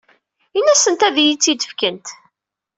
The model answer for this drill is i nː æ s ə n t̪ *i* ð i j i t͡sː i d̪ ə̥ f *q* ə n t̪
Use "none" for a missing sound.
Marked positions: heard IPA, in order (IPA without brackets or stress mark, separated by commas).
æ, k